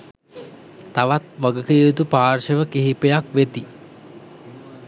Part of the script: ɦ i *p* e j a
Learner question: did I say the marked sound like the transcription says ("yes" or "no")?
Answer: yes